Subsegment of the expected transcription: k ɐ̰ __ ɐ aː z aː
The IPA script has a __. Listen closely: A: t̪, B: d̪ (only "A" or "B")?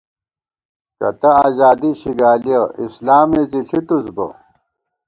A